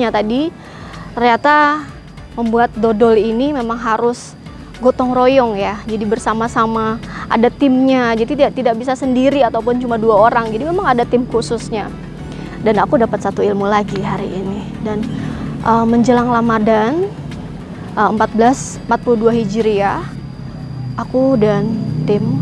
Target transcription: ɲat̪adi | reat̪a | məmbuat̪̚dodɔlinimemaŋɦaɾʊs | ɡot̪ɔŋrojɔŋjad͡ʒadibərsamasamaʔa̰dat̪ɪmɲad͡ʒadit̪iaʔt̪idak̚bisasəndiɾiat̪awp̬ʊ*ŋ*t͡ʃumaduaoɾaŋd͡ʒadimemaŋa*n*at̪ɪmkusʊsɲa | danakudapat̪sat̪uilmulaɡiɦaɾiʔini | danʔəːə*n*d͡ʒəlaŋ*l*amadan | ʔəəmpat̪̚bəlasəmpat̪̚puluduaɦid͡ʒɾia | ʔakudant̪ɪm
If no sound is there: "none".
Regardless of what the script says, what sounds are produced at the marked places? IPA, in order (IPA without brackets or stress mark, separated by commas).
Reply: n, d, ɲ, l